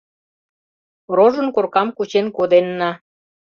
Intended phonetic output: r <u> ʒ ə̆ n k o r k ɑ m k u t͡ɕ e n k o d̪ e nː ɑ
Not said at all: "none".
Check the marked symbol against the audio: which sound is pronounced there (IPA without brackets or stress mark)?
o